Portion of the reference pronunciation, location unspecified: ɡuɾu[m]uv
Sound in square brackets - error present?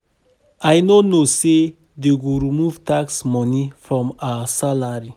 no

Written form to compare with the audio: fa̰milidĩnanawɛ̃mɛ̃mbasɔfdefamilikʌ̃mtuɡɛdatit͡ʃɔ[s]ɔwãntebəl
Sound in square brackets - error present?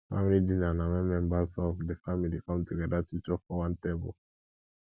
yes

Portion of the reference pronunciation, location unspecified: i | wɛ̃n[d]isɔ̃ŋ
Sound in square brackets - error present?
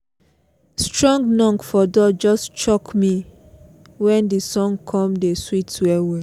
no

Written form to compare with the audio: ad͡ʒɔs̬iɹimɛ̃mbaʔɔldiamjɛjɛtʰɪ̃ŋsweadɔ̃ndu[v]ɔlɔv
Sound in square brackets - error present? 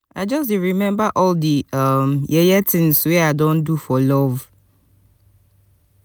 yes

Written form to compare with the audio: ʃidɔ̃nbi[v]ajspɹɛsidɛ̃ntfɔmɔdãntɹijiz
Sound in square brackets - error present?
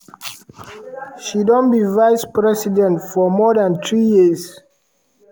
no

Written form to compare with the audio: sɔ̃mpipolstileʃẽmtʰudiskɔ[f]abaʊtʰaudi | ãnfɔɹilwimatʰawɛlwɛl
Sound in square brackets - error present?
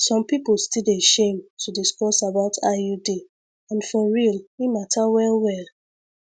yes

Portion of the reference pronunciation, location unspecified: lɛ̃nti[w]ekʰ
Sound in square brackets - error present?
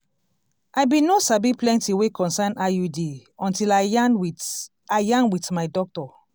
no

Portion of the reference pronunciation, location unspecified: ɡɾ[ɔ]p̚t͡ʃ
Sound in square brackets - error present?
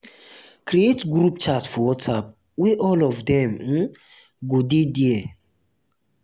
yes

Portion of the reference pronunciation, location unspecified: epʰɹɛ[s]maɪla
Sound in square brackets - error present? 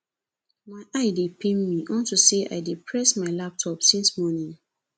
no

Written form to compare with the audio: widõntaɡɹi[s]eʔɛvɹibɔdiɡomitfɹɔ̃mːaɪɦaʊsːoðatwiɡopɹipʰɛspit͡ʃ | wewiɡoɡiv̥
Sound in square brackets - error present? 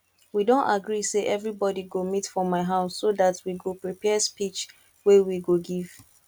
no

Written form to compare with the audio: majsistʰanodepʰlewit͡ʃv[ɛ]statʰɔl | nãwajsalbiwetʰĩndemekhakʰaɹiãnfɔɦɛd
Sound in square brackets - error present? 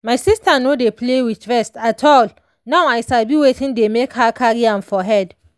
no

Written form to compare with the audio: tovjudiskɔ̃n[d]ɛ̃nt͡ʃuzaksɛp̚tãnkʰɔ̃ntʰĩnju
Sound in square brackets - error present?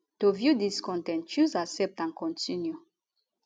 yes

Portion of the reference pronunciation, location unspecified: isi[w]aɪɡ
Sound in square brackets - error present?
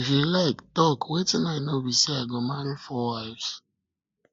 yes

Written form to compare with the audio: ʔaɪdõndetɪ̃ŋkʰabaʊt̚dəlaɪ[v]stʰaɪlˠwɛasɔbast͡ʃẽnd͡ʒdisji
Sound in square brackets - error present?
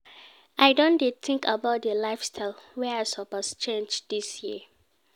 yes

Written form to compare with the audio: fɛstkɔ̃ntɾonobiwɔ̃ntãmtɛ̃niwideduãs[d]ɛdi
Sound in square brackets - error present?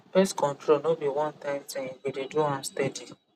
yes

